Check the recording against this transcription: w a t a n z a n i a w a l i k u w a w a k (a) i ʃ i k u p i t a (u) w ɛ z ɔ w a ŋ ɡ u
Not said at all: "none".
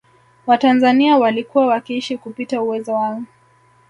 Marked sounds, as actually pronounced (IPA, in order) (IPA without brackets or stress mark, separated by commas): i, u